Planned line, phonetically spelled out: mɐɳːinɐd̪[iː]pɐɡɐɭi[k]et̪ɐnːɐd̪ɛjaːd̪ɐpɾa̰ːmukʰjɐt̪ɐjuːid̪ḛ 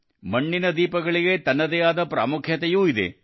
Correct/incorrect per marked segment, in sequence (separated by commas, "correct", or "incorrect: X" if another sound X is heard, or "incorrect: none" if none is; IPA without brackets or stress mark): correct, incorrect: ɡ